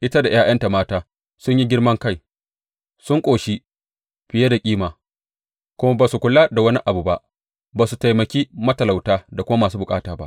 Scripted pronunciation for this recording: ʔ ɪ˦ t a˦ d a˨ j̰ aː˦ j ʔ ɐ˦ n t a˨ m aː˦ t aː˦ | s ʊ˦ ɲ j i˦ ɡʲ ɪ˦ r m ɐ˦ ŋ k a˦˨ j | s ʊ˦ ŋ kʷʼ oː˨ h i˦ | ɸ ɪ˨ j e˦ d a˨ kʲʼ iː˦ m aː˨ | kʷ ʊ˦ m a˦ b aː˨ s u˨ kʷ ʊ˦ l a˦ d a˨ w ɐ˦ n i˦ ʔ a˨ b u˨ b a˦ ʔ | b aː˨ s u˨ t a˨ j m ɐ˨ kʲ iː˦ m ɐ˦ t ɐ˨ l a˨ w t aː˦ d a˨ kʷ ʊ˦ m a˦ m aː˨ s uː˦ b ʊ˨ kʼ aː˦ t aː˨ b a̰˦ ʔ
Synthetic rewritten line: ʔ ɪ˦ t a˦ d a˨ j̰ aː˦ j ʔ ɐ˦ n t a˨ m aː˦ t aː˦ | s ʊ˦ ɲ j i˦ ɡʲ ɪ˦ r m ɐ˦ ŋ k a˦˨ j | s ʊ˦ ŋ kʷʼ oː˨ ʃ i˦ | ɸ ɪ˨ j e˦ d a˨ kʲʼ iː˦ m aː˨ | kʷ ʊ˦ m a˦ b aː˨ s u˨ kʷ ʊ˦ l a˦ d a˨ w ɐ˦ n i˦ ʔ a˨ b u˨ b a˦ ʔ | b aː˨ s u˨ t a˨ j m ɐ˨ kʲ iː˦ m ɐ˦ t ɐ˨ l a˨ w t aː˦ d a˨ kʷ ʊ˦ m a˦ m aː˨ s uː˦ b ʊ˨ kʼ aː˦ t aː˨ b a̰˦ ʔ